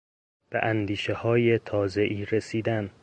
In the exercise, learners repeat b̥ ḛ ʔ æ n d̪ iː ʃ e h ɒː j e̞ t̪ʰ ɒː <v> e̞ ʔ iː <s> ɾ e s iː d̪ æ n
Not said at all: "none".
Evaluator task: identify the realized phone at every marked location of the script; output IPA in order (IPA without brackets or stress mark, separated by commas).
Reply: z, none